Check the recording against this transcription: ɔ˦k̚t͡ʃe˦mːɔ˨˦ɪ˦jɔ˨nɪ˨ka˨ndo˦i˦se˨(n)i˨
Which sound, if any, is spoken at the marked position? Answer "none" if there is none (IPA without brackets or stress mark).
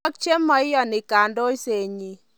ɲ